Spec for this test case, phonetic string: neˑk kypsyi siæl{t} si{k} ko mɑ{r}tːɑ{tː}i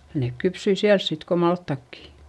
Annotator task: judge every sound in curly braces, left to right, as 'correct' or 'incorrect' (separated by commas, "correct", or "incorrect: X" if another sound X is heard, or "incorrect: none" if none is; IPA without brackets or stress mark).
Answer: incorrect: s, incorrect: t, incorrect: l, incorrect: kː